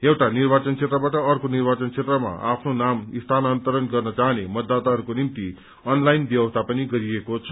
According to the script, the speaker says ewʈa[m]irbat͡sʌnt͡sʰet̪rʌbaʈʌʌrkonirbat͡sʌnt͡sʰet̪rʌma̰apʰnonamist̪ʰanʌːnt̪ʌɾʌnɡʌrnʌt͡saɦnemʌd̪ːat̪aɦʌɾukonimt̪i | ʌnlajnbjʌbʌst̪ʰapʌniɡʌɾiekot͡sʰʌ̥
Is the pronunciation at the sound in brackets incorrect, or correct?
incorrect